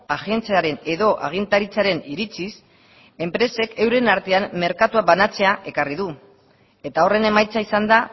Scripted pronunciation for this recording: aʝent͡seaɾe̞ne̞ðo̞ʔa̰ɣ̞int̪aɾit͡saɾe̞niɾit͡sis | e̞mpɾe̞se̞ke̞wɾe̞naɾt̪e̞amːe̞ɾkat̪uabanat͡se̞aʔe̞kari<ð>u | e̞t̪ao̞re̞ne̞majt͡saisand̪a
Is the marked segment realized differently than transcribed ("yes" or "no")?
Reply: no